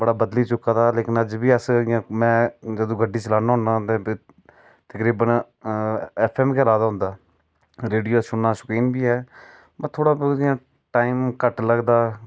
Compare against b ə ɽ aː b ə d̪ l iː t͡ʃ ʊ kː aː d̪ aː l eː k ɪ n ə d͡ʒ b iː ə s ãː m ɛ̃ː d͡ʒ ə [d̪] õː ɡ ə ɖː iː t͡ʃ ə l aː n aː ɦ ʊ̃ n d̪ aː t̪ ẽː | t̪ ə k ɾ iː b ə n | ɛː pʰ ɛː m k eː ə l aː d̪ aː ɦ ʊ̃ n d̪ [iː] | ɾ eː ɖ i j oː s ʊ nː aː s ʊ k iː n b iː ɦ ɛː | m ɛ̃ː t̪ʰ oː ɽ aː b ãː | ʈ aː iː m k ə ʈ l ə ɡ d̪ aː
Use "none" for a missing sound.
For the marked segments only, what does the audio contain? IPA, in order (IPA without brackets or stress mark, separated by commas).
d̪, aː